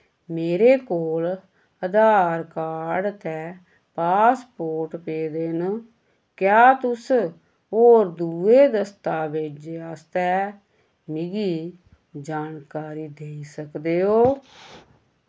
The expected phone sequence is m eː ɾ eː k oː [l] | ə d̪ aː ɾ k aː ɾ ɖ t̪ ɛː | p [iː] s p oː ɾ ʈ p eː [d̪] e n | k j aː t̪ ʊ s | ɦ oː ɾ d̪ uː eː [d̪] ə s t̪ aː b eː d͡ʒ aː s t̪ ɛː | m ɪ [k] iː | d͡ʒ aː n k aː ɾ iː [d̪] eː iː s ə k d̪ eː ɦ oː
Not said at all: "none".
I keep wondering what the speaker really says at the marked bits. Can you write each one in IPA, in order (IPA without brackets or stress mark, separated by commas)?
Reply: l, aː, d̪, d̪, ɡ, d̪